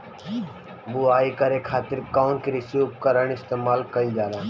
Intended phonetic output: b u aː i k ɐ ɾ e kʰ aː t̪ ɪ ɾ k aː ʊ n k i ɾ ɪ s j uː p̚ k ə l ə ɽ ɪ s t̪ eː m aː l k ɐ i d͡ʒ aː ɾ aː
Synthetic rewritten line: b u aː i k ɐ ɾ e kʰ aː t̪ ɪ ɾ k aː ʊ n k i ɾ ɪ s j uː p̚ k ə ɾ ə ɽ ɪ s t̪ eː m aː l k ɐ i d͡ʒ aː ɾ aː